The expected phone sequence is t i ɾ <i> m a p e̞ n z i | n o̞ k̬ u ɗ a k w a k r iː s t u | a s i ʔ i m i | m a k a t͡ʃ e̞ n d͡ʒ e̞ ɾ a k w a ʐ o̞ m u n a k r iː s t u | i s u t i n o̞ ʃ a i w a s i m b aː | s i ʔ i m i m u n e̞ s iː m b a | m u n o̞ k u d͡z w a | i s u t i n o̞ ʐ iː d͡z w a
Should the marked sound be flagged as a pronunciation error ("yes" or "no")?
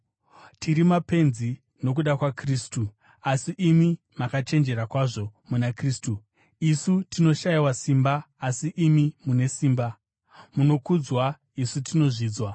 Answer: no